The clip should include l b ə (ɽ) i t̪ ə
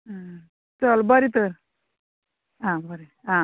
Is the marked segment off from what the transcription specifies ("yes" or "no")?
yes